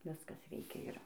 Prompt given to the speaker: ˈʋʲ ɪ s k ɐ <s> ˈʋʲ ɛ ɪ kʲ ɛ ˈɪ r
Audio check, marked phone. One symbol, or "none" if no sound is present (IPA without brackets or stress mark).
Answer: s